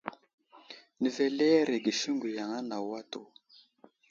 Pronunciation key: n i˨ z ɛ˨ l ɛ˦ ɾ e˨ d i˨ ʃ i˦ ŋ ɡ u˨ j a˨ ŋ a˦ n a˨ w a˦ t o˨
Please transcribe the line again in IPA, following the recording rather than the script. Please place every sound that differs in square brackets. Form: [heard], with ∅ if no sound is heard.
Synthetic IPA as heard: n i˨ [v] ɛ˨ l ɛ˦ ɾ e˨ [ɡ] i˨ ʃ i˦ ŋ ɡ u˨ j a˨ ŋ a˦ n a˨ w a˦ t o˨